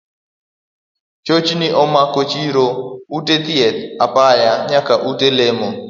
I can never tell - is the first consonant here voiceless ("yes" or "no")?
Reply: yes